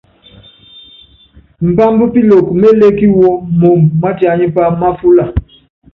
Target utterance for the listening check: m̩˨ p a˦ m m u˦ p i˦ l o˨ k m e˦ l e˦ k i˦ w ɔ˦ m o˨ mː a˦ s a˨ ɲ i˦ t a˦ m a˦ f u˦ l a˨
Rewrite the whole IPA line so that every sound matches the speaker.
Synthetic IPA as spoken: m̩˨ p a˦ m b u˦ p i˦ l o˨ k m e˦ l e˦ k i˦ w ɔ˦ m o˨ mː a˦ t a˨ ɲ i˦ p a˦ m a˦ f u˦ l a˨